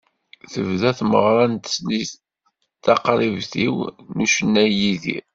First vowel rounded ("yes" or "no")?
no